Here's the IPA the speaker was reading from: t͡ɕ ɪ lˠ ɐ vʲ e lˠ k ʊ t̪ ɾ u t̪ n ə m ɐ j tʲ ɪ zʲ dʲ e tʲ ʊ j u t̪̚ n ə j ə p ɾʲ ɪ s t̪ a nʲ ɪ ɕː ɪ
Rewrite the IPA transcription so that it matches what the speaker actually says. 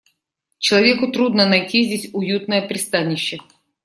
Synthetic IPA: t͡ɕ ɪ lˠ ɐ vʲ e k ʊ t̪ ɾ u d̪ n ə n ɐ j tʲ i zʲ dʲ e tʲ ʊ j u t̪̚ n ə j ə p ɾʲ ɪ s t̪ a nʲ ɪ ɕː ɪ